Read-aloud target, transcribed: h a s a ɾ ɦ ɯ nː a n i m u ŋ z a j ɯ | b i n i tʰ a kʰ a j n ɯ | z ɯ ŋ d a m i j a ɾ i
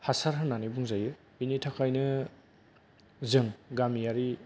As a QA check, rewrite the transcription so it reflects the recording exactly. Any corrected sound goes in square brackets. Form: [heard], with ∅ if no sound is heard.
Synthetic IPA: h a s a ɾ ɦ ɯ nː a n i [b] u ŋ z a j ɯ | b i n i tʰ a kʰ a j n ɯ | z ɯ ŋ [ɡ] a m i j a ɾ i